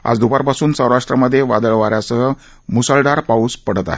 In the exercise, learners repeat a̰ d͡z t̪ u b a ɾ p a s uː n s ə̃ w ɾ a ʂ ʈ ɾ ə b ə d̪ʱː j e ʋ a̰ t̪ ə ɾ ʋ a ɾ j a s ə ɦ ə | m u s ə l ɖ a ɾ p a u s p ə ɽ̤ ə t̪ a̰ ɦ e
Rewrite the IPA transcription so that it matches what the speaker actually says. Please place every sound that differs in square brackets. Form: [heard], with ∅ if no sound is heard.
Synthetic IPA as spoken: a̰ d͡z [d̪] u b a ɾ p a s uː n s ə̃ w ɾ a ʂ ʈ ɾ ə [m] ə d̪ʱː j e ʋ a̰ [d̪] ə [ɭ] ʋ a ɾ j a s ə ɦ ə | m u s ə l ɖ a ɾ p a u s p ə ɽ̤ ə t̪ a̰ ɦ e